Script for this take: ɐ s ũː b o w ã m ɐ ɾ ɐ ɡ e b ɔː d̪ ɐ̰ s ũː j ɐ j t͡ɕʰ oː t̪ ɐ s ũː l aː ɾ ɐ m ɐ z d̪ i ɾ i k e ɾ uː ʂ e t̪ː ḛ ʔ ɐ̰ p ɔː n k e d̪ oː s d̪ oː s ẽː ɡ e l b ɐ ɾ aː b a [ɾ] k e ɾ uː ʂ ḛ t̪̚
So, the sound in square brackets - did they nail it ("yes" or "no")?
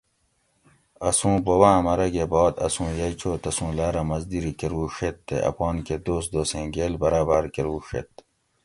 yes